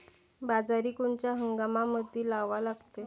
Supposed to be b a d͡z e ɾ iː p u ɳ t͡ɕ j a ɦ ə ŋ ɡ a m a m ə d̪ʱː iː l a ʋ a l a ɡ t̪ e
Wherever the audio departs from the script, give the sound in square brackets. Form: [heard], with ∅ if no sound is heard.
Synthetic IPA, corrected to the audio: b a d͡z [a] ɾ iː [k] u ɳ t͡ɕ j a ɦ ə ŋ ɡ a m a m ə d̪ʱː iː l a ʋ a l a ɡ t̪ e